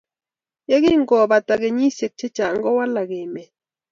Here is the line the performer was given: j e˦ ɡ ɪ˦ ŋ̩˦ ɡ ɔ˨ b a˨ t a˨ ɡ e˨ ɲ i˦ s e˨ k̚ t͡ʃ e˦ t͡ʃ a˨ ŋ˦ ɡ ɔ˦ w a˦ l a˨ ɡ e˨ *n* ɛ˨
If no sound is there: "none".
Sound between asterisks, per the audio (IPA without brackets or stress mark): m